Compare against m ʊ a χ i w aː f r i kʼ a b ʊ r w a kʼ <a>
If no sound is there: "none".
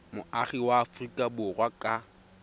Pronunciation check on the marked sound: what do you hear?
a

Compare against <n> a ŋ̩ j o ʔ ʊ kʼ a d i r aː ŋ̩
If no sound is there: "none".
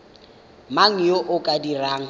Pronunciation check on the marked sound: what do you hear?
m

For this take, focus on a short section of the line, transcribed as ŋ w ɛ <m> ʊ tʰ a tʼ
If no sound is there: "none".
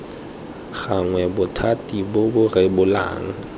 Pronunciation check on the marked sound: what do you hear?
b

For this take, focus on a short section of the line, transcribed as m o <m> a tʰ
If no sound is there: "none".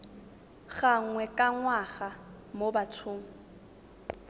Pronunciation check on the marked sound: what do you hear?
b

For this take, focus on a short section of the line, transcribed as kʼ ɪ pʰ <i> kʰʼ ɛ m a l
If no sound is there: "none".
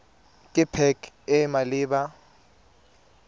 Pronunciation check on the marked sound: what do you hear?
ɛ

